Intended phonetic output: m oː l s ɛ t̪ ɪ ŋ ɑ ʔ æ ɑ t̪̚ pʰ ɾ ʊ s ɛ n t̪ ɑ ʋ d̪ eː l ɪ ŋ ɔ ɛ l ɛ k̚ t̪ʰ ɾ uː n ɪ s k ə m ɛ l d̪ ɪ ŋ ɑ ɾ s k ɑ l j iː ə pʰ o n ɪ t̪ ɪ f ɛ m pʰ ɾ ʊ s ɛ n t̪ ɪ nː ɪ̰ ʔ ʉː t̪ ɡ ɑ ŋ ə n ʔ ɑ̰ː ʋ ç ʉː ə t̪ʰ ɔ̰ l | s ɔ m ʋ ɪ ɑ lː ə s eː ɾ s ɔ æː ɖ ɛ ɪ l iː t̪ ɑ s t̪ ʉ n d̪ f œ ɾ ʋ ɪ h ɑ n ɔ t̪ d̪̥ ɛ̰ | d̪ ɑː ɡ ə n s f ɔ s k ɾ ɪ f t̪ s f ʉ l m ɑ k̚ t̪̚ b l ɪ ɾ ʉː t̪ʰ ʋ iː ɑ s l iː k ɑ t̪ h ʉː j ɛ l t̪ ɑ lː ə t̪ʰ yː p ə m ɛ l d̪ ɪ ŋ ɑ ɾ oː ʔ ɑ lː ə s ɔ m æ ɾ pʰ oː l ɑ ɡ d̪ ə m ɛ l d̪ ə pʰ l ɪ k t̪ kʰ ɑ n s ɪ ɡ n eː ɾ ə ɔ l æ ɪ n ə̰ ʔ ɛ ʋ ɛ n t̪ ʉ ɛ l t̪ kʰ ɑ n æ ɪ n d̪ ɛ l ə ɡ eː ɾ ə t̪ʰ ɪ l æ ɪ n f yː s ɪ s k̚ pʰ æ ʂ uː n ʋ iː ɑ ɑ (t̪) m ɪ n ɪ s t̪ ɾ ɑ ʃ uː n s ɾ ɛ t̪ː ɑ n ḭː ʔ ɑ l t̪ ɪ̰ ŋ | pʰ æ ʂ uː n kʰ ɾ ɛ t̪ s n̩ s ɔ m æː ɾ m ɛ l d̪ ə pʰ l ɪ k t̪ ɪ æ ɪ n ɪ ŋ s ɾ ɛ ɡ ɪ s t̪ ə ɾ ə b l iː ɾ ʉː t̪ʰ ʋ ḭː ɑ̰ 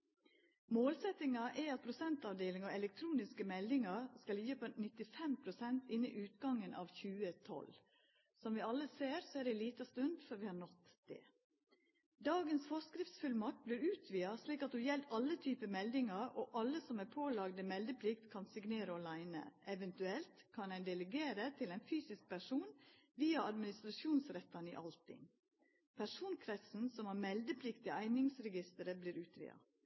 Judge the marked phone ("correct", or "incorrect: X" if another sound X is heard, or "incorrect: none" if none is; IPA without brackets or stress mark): incorrect: d̪